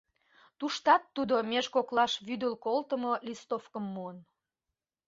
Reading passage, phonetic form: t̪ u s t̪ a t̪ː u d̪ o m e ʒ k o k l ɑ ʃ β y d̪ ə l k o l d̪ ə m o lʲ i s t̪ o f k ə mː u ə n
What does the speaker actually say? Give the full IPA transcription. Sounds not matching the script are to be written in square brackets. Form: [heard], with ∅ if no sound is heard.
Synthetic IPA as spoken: t̪ u [ʃ] t̪ [ɑ] t̪ː u d̪ o m e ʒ k o k l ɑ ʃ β y d̪ ə l k o l [t̪] ə m o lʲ i s t̪ o f k ə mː u ə n